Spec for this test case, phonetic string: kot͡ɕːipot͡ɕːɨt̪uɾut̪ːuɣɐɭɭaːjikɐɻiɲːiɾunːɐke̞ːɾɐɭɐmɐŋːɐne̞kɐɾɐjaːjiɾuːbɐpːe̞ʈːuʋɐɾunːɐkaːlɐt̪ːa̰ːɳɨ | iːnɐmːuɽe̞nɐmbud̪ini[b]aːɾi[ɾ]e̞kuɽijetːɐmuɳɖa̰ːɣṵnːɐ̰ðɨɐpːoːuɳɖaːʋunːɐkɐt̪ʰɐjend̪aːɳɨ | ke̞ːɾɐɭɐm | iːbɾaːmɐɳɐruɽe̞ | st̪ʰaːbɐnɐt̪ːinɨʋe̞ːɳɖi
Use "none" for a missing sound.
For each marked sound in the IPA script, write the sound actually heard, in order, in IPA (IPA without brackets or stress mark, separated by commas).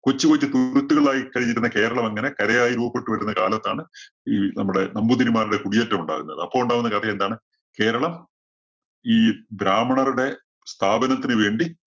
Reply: m, ɽ